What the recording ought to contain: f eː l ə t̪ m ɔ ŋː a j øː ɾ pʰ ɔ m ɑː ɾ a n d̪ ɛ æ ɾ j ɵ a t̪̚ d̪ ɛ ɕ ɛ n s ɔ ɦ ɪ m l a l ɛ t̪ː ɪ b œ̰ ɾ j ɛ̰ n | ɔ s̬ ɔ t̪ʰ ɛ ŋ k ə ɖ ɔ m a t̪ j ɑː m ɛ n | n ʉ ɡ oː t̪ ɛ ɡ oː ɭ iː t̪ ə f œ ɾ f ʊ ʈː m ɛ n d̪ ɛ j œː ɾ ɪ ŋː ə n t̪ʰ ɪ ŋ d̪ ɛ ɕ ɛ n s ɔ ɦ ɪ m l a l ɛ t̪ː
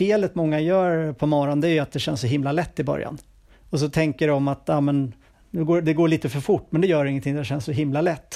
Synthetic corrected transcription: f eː l ə t̪ m ɔ ŋː a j œː ɾ pʰ ɔ m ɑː ɾ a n d̪ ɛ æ ɾ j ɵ a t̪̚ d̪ ɛ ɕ ɛ n s ɔ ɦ ɪ m l a l ɛ t̪ː ɪ b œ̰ ɾ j a̰ n | ɔ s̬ ɔ t̪ʰ ɛ ŋ k ə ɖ ɔ m a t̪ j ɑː m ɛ n | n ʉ ɡ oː d̪ ɛ ɡ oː ɭ iː t̪ ə f œ ɾ f ʊ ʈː m ɛ n d̪ ɛ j œː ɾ ɪ ŋː ə n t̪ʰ ɪ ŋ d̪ ɛ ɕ ɛ n s ɔ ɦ ɪ m l a l ɛ t̪ː